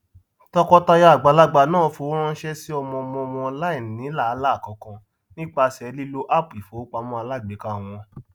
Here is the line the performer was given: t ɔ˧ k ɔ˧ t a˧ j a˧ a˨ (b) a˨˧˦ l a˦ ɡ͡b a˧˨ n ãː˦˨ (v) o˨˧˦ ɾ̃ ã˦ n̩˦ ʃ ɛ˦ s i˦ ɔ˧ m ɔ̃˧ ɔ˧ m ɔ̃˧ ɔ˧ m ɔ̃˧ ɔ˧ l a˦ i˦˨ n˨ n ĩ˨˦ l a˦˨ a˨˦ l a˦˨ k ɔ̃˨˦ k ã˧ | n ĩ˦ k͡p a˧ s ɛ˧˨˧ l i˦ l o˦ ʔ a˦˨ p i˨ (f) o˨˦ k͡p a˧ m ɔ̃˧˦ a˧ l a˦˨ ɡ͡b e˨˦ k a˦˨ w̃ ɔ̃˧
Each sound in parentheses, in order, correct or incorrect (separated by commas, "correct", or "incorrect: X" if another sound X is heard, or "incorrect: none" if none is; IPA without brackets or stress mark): incorrect: ɡ͡b, incorrect: f, correct